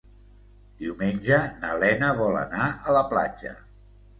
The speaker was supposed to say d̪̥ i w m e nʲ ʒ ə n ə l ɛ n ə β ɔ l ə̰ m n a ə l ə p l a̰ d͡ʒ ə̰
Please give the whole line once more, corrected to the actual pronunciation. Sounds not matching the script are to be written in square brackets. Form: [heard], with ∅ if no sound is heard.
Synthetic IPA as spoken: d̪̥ i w m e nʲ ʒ ə n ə l ɛ n ə β ɔ l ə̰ [∅] n a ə l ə p l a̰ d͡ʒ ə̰